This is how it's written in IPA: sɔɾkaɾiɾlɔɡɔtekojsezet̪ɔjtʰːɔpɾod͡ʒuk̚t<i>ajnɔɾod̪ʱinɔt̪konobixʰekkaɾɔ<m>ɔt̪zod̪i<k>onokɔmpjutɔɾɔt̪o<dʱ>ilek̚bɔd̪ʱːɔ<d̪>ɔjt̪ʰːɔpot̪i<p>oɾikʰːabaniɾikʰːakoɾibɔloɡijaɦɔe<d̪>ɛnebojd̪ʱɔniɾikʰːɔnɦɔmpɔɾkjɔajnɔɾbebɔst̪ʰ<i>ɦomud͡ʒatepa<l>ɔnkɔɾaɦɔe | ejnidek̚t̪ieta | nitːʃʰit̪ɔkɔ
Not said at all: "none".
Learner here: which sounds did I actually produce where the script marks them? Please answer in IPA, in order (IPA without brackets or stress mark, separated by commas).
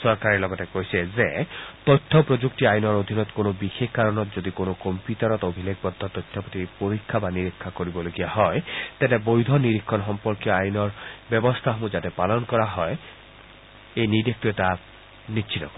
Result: i, n, k, bʱ, t̪, p, t̪, a, l